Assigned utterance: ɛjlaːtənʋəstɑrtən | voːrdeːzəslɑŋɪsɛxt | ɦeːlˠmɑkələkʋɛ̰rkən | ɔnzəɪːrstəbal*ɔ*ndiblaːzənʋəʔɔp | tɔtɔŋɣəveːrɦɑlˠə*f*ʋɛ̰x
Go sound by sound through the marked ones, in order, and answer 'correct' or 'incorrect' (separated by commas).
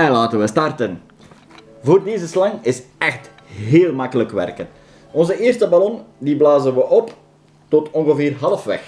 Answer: correct, correct